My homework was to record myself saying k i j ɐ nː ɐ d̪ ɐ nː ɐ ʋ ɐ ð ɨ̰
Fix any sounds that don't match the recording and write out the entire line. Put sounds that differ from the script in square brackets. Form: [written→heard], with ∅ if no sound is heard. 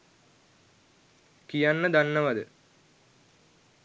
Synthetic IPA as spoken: k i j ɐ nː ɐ d̪ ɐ nː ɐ ʋ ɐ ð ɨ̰